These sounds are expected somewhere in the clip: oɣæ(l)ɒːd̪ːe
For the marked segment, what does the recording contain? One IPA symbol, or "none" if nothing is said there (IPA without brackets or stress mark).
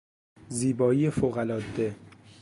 l